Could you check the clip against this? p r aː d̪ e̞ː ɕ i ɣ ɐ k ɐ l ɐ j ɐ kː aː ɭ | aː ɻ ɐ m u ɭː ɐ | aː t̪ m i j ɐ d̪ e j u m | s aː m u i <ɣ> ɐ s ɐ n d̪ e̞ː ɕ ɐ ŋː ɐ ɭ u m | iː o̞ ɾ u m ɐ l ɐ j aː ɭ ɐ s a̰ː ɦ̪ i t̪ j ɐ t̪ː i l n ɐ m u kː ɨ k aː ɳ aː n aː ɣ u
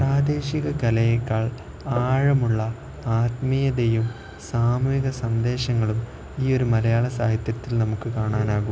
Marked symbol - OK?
yes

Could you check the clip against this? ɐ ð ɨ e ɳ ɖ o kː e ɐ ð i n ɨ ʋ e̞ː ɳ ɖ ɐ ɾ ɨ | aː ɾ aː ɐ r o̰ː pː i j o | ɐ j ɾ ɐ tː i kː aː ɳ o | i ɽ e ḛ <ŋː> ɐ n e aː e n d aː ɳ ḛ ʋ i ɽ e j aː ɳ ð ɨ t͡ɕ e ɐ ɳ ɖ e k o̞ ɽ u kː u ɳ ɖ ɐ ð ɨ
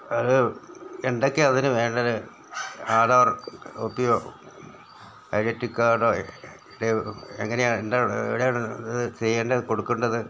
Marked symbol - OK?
yes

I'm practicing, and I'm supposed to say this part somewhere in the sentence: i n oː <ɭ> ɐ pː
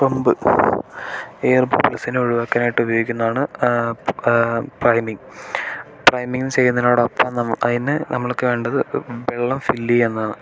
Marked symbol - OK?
no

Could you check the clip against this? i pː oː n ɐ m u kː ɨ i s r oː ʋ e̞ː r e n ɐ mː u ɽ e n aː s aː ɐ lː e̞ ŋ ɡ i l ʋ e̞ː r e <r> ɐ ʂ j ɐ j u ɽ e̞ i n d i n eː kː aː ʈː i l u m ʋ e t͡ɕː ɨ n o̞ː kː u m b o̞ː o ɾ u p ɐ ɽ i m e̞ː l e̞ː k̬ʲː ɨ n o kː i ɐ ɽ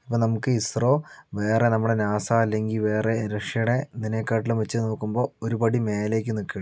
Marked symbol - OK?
no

